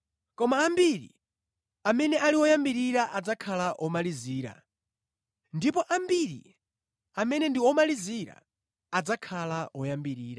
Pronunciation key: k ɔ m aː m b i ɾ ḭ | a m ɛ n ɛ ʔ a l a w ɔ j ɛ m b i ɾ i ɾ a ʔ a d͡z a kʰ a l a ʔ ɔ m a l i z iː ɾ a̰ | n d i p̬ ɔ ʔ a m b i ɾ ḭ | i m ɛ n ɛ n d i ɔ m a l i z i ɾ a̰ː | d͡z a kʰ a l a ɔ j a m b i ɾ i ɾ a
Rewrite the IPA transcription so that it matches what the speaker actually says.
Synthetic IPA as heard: k ɔ m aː m b i ɾ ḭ | a m ɛ n ɛ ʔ a l i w ɔ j a m b i ɾ i ɾ a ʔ a d͡z a kʰ a l a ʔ ɔ m a l i z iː ɾ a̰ | n d i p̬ ɔ ʔ a m b i ɾ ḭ | a m ɛ n ɛ n d i ɔ m a l i z i ɾ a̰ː | d͡z a kʰ a l a ɔ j a m b i ɾ iː ɾ a